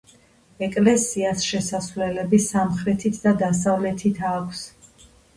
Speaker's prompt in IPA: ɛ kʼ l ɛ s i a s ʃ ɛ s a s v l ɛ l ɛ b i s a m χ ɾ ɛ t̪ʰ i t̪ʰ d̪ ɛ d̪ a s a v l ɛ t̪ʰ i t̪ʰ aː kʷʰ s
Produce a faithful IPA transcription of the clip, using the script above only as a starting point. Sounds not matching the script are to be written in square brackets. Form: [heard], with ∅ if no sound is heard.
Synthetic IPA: ɛ kʼ l ɛ s i a s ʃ ɛ s a s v l ɛ l ɛ b i s a m χ ɾ ɛ t̪ʰ i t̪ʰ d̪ [a] d̪ a s a v l ɛ t̪ʰ i t̪ʰ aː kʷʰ s